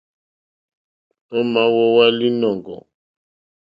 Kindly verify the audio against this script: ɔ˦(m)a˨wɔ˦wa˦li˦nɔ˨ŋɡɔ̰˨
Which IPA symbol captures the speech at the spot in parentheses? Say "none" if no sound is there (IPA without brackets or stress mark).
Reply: m